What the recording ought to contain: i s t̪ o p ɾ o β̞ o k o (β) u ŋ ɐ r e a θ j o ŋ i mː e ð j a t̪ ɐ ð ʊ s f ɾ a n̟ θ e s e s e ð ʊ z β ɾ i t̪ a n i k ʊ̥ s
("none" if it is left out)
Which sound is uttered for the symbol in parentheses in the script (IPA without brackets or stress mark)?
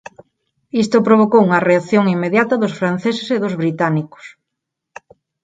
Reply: w